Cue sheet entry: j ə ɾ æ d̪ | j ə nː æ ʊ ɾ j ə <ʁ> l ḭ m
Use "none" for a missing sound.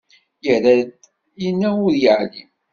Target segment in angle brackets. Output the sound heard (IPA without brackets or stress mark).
ʕ